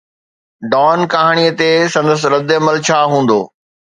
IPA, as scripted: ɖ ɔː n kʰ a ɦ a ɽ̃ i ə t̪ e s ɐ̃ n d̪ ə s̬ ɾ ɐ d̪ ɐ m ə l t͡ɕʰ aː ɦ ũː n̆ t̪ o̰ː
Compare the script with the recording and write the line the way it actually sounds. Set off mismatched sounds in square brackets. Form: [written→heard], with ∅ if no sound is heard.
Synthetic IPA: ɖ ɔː n [kʰ→k] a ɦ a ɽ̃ i ə t̪ e s ɐ̃ n d̪ ə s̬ ɾ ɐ d̪ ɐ m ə l t͡ɕʰ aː ɦ ũː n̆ [t̪→d̪] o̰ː